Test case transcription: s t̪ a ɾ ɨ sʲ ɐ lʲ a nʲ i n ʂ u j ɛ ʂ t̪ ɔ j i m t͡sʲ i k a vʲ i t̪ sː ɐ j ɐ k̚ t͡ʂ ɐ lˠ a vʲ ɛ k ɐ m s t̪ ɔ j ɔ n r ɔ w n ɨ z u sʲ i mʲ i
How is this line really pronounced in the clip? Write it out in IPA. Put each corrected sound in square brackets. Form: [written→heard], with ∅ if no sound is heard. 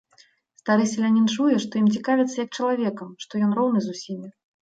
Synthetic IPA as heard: s t̪ a ɾ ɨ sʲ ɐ lʲ a nʲ i n [ʂ→t͡ʂ] u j ɛ ʂ t̪ ɔ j i m t͡sʲ i k a vʲ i t̪ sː ɐ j ɐ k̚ t͡ʂ ɐ lˠ a vʲ ɛ k ɐ m [s→ʂ] t̪ ɔ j ɔ n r ɔ w n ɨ z u sʲ i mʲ i